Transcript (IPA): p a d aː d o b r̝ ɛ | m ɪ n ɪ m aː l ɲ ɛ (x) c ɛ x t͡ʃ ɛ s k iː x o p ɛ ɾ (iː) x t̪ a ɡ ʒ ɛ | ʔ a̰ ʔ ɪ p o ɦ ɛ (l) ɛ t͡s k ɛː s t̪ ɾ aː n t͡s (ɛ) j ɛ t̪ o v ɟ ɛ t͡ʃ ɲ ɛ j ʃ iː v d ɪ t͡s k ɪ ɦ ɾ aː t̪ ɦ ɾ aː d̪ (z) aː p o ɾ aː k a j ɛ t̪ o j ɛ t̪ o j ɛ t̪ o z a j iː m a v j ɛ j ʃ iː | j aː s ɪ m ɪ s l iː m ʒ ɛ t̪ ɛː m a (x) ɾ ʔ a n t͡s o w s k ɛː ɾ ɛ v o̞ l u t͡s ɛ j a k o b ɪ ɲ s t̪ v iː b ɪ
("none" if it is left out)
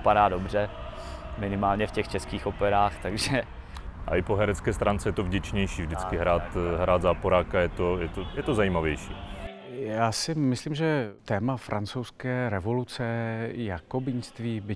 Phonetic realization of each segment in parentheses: f, aː, ɾ, ɛ, z, f

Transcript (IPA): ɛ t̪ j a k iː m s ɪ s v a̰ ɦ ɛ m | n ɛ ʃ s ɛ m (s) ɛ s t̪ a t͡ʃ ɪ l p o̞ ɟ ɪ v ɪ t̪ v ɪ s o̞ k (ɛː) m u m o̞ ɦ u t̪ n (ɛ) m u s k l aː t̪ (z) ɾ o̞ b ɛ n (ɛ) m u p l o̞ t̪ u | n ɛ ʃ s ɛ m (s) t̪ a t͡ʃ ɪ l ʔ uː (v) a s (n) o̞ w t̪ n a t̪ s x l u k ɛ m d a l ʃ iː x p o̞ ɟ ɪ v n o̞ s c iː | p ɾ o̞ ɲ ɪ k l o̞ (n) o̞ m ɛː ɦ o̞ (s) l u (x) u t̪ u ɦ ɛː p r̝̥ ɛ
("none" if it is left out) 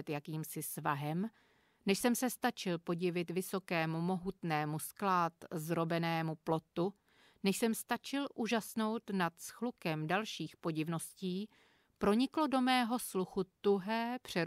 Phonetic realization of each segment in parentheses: s, ɛː, ɛː, z, ɛː, s, ʒ, n, d, s, x

